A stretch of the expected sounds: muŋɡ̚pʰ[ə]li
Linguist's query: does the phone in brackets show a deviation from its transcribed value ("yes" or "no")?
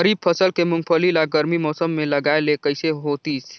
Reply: no